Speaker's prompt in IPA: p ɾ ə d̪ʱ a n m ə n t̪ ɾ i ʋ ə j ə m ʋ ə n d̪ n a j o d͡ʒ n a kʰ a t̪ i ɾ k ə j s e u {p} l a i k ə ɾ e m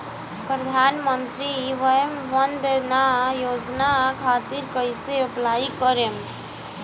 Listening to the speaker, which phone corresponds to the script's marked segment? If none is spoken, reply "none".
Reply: p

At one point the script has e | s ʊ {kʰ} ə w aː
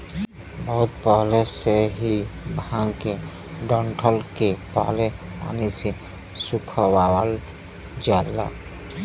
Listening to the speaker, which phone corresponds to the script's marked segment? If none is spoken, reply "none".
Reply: kʰ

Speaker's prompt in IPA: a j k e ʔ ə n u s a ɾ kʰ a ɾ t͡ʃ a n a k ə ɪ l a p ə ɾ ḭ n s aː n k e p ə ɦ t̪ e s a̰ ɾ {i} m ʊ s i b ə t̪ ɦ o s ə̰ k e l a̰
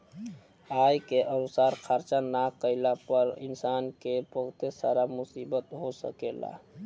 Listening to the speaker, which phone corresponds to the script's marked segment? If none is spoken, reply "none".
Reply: a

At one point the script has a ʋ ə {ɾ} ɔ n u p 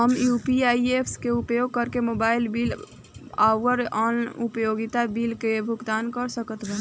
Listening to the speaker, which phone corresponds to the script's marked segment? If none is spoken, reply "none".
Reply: ɾ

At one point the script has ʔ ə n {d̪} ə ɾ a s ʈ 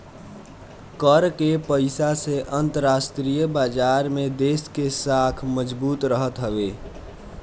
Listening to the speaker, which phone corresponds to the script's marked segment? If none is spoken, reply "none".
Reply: t̪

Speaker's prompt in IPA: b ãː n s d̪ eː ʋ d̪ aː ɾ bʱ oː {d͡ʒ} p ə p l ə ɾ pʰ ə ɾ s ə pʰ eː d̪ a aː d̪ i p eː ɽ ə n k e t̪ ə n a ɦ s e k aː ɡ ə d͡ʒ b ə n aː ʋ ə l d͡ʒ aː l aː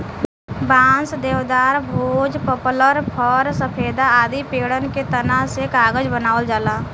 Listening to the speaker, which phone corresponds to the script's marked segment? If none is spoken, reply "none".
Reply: d͡ʒ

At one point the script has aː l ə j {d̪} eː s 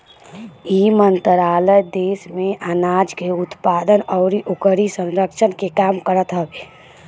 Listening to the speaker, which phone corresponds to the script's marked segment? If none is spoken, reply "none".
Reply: d̪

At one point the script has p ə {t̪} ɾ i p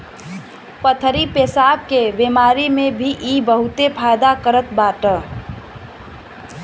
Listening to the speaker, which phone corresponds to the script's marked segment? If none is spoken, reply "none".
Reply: t̪ʰ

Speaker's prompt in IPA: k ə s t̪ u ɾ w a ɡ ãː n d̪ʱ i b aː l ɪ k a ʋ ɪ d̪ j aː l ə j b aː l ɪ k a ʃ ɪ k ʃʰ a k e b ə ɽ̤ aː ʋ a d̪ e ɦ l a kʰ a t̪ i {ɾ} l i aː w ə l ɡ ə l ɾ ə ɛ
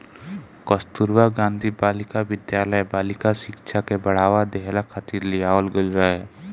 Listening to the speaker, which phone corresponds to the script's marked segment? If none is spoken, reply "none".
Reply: ɾ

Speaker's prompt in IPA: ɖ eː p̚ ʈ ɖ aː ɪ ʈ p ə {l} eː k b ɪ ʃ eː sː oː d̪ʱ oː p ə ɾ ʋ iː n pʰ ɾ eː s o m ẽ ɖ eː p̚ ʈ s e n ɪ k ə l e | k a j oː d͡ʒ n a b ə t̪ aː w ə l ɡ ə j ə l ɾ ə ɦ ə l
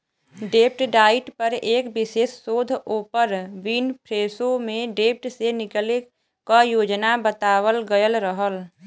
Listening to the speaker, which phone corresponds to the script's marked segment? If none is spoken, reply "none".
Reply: ɾ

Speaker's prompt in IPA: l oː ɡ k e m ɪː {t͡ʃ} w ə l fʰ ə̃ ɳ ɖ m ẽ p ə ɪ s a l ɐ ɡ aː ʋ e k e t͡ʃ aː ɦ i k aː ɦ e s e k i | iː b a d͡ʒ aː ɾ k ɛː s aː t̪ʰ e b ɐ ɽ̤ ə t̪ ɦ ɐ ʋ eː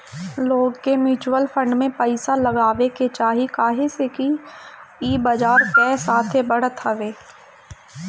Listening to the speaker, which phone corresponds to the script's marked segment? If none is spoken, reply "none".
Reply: t͡ʃ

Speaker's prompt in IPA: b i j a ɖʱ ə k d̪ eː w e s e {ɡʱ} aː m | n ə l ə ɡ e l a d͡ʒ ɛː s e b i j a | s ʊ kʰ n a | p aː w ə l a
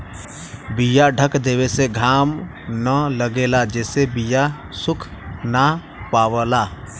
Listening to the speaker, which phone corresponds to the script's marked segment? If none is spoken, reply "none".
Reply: ɡʱ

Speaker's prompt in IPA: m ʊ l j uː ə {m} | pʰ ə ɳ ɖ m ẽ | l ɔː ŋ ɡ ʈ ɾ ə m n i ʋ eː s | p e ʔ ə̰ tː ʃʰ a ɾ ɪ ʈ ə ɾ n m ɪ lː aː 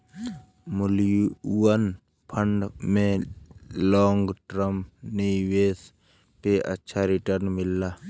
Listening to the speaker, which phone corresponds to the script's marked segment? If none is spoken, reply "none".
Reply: n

